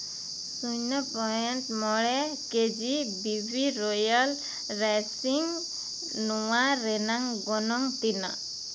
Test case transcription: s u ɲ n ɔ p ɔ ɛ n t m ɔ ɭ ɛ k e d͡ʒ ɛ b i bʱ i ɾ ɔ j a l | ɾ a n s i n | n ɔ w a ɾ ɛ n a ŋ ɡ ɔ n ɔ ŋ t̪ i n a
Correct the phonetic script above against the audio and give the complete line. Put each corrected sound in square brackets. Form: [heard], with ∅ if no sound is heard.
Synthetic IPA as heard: s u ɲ n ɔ p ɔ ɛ n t m ɔ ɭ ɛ k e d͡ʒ [i] b i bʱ i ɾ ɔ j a l | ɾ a [∅] s i [ŋ] | n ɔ w a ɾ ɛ n a ŋ ɡ ɔ n ɔ ŋ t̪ i n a

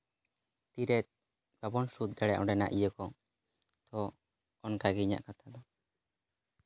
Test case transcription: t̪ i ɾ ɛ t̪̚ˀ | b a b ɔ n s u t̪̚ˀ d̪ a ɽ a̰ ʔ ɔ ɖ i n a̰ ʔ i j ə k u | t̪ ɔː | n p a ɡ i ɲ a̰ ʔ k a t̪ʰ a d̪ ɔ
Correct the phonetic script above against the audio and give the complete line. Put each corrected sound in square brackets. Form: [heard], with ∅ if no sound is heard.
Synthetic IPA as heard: t̪ i ɾ ɛ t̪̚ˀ | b a b ɔ n s u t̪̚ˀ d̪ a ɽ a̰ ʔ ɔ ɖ [ɛ] n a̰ ʔ i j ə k [ɔ] | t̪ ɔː | n [k] a ɡ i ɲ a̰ ʔ k a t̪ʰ a d̪ ɔ

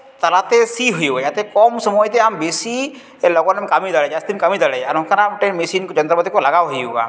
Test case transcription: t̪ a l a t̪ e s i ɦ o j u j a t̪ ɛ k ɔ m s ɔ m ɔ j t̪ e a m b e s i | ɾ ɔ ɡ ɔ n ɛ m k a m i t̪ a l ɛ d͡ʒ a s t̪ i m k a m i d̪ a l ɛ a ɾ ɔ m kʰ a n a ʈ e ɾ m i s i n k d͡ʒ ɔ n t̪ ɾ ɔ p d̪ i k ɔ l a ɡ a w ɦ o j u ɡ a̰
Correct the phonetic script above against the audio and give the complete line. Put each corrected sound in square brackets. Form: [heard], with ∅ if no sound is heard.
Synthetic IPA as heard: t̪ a l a t̪ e s i ɦ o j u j a t̪ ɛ k ɔ m s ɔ m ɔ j t̪ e a m b e s i | [l] ɔ ɡ ɔ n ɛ m k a m i [d̪] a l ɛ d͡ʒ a s t̪ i m k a m i d̪ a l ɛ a ɾ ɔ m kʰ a n a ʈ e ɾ m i s i n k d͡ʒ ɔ n t̪ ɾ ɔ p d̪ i k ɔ l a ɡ a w ɦ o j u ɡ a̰

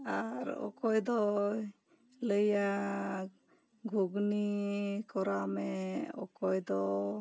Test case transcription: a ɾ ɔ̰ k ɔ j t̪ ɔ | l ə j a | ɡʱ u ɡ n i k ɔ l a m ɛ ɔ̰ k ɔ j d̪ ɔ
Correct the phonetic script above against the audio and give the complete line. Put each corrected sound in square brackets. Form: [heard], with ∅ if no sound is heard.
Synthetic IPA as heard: a ɾ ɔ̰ k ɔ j [d̪] ɔ | l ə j a | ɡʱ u ɡ n i k ɔ [ɾ] a m ɛ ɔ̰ k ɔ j d̪ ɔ

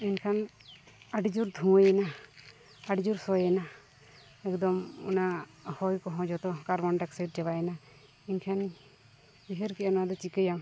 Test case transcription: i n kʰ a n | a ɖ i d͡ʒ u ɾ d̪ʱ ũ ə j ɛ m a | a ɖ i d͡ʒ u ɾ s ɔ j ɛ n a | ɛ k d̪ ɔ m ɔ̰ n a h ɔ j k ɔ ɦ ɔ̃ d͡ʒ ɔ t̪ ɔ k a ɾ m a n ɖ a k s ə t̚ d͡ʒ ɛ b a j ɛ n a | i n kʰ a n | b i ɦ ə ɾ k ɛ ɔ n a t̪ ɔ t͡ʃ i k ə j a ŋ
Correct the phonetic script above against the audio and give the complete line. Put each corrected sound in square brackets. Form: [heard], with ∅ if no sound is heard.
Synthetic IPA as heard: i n kʰ a n | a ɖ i d͡ʒ u ɾ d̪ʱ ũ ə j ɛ [n] a | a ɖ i d͡ʒ u ɾ s ɔ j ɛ n a | ɛ k d̪ ɔ m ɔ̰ n a h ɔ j k ɔ ɦ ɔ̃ d͡ʒ ɔ t̪ ɔ k a ɾ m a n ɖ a k s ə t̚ d͡ʒ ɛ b a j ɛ n a | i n kʰ a n | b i ɦ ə ɾ k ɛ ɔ n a [d̪] ɔ t͡ʃ i k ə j a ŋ

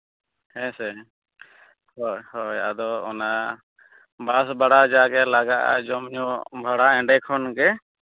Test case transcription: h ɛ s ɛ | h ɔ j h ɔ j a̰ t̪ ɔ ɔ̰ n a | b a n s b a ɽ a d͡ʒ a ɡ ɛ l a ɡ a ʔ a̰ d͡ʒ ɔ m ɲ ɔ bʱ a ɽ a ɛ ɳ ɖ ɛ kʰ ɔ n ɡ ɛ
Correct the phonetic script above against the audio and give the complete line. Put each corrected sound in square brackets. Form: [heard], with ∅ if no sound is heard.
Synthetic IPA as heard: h ɛ s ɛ | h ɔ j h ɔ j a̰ [d̪] ɔ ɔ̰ n a | b a [∅] s b a ɽ a d͡ʒ a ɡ ɛ l a ɡ a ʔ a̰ d͡ʒ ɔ m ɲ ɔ bʱ a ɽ a ɛ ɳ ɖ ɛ kʰ ɔ n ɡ ɛ

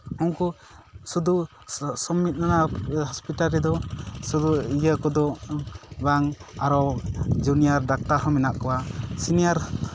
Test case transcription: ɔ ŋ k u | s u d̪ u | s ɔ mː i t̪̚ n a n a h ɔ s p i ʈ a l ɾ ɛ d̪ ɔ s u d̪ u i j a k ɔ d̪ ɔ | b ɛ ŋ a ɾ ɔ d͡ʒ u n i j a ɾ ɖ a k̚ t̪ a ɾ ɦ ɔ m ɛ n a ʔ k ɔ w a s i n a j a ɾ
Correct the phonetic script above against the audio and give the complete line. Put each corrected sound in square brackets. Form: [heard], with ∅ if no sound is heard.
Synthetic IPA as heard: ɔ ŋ k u | s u d̪ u | s ɔ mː i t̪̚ n a n a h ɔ s p i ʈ a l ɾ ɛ d̪ ɔ s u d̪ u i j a k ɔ d̪ ɔ | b [a] ŋ a ɾ ɔ d͡ʒ u n i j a ɾ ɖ a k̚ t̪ a ɾ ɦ ɔ m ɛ n a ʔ k ɔ w a s i n [i] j a ɾ

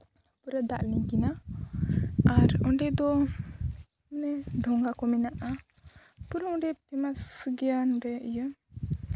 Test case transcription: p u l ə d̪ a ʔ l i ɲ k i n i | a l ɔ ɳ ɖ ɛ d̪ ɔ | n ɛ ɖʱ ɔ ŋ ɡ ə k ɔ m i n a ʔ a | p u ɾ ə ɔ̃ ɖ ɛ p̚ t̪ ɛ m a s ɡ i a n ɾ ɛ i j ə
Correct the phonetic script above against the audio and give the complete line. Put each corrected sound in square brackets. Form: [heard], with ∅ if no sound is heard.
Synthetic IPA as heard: p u [ɾ] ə d̪ a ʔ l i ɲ k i n [a] | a [ɾ] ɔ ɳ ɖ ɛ d̪ ɔ | n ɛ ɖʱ ɔ ŋ ɡ [a] k ɔ m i n a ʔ a | p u ɾ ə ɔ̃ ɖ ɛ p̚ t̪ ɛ m a s ɡ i a n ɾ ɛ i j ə

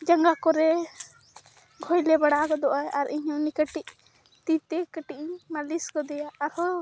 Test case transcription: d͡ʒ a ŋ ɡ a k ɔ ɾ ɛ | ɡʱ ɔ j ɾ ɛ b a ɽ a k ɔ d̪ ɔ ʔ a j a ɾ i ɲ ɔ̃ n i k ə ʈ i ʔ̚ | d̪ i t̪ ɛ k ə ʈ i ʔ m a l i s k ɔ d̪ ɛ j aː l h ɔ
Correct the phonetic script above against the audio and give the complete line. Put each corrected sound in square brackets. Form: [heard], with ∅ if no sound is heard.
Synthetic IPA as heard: d͡ʒ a ŋ ɡ a k ɔ ɾ ɛ | ɡʱ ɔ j [l] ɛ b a ɽ a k ɔ d̪ ɔ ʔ a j a ɾ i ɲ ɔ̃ n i k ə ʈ i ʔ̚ | [t̪] i t̪ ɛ k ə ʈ i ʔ m a l i s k ɔ d̪ ɛ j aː [ɾ] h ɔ

